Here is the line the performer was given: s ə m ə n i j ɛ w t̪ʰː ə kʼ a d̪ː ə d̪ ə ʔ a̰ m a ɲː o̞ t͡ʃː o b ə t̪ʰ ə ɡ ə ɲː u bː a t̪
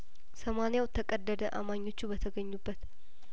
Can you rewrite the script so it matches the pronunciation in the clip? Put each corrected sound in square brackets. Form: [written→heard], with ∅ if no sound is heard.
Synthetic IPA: s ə m [ə→a] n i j [ɛ→a] w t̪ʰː ə kʼ [a→ə] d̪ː ə d̪ ə ʔ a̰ m a ɲː o̞ t͡ʃː [o→u] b ə t̪ʰ ə ɡ ə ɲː u bː [a→ə] t̪